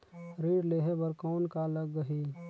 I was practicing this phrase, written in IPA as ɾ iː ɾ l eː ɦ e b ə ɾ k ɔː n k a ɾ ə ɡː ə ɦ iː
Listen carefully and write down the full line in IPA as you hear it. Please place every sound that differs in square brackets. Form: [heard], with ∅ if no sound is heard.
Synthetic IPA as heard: ɾ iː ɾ l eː ɦ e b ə ɾ k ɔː n k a [l] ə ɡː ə ɦ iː